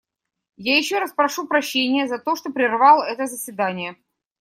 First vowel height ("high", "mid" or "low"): low